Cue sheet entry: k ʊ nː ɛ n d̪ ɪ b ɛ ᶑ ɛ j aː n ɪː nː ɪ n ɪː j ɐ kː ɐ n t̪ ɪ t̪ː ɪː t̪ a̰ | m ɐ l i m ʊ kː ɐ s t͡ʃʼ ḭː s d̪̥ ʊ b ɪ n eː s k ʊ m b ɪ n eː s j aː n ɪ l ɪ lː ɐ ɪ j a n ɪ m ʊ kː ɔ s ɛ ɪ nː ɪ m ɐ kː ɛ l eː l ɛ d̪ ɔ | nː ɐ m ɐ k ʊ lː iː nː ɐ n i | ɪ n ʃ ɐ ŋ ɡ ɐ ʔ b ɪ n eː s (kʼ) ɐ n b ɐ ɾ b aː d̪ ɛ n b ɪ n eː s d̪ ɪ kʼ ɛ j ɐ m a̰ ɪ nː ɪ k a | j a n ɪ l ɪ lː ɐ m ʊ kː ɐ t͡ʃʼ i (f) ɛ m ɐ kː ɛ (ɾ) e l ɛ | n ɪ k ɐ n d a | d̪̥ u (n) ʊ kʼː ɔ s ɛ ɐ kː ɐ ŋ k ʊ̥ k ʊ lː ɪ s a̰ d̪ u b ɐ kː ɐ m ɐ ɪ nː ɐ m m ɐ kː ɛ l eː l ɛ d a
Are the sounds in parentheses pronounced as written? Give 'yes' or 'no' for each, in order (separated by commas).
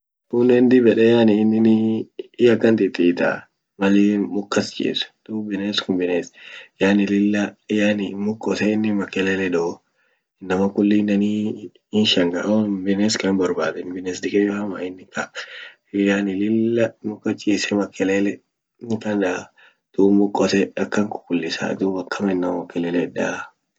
no, no, no, no